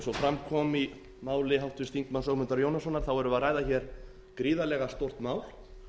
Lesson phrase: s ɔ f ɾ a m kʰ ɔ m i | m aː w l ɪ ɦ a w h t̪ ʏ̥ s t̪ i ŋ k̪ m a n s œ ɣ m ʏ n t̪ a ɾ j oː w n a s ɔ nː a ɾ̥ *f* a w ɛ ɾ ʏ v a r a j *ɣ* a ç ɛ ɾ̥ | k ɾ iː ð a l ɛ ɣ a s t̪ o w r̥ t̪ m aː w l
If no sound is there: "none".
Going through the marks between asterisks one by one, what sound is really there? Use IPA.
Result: θ, ð

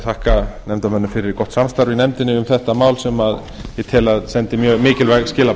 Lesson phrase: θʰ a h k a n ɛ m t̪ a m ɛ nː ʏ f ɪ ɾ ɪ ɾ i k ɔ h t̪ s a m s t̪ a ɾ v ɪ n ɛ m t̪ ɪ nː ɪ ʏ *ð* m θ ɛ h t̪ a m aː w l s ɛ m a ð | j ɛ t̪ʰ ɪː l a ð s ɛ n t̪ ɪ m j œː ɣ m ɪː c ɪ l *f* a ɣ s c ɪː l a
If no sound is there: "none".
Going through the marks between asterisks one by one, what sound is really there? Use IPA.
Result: none, v

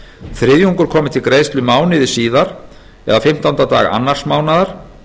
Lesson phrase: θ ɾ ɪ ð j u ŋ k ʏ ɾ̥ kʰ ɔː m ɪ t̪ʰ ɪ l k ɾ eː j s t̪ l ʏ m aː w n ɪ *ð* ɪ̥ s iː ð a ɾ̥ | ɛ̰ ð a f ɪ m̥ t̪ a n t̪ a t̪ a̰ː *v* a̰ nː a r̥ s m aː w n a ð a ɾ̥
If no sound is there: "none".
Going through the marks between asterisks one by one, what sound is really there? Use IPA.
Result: ð, ɣ

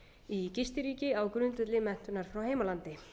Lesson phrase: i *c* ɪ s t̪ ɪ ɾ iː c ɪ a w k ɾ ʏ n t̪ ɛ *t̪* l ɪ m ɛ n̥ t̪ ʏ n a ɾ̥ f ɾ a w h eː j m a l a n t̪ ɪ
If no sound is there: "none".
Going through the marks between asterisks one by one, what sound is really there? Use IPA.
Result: c, t̪

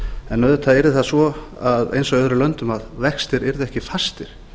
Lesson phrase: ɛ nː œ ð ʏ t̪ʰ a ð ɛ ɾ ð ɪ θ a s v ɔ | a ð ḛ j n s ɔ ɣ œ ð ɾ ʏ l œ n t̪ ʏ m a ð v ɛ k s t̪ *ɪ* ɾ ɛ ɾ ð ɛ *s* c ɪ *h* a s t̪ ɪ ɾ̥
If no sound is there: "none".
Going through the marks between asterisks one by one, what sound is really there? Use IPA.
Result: ɪ, h, f

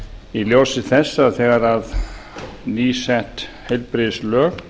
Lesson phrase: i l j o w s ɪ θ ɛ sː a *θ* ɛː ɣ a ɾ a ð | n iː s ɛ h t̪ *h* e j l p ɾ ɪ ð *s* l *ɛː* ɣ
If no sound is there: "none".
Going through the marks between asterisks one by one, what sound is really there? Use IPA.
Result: θ, h, s, œː

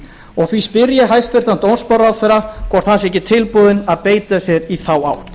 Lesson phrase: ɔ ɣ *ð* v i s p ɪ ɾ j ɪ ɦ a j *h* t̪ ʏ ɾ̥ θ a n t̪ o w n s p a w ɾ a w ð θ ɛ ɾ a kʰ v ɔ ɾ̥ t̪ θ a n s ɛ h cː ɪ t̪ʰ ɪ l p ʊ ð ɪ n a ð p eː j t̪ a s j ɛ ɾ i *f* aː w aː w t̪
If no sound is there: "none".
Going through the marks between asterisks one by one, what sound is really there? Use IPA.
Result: θ, s, θ

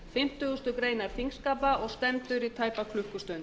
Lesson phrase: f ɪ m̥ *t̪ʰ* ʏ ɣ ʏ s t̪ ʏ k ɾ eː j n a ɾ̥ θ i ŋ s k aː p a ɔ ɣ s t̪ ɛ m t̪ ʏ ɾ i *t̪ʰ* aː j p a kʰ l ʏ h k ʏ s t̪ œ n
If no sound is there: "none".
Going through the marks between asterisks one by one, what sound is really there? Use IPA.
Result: t̪, t̪ʰ

